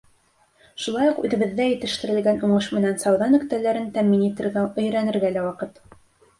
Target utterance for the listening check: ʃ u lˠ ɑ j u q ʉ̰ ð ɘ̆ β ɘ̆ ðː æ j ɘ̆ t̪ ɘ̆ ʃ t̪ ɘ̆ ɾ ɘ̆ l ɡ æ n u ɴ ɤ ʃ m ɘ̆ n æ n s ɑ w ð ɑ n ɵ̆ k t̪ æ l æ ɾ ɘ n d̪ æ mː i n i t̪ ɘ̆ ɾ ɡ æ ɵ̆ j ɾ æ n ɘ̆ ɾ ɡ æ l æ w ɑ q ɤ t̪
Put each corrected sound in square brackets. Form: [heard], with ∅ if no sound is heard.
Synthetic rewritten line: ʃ u lˠ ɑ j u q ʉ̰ ð ɘ̆ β ɘ̆ ðː æ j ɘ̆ t̪ ɘ̆ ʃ t̪ ɘ̆ ɾ ɘ̆ l ɡ æ n u ɴ ɤ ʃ m ɘ̆ n æ n s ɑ w ð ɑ n ɵ̆ k t̪ æ l æ ɾ ɘ n [t̪] æ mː i n i t̪ ɘ̆ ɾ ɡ æ ɵ̆ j ɾ æ n ɘ̆ ɾ ɡ æ l æ w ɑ q ɤ t̪